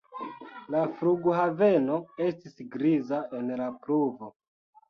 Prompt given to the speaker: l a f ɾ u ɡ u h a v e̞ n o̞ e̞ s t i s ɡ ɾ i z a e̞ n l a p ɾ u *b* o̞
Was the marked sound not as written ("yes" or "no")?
yes